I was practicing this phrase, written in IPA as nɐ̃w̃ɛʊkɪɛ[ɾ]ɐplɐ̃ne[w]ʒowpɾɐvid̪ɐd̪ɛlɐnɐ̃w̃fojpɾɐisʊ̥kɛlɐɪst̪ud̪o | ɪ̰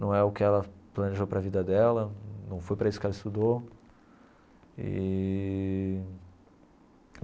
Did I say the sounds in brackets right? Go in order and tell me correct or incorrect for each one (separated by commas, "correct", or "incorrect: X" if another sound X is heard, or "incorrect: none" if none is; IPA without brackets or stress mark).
incorrect: l, incorrect: none